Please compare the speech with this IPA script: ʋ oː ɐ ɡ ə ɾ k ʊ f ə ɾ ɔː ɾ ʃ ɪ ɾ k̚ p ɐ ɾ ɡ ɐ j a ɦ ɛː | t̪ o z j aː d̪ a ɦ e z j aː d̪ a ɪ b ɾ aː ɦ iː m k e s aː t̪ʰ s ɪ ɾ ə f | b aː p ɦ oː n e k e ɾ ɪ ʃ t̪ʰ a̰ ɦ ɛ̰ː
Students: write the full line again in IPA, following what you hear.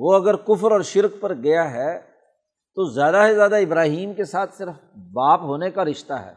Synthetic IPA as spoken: ʋ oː ɐ ɡ ə ɾ k ʊ f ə ɾ ɔː ɾ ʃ ɪ ɾ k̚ p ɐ ɾ ɡ ɐ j a ɦ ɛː | t̪ o z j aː d̪ a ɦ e z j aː d̪ a ɪ b ɾ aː ɦ iː m k e s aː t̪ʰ s ɪ ɾ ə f | b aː p ɦ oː n e k a ɾ ɪ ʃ t̪ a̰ ɦ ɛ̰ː